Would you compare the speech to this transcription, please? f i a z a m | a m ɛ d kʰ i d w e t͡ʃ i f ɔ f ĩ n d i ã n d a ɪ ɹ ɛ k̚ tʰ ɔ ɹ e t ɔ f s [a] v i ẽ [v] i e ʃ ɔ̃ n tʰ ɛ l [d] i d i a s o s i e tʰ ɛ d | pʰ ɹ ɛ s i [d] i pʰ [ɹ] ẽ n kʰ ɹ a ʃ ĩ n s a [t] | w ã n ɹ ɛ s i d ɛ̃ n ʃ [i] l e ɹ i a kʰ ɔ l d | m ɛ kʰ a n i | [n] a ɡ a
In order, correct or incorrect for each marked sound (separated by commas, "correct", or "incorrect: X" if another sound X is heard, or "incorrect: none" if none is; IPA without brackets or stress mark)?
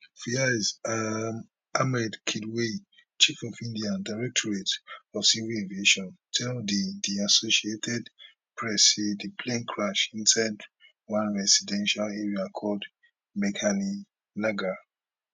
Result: incorrect: i, correct, correct, correct, incorrect: l, incorrect: d, incorrect: a, correct